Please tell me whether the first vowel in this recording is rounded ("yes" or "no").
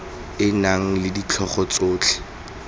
no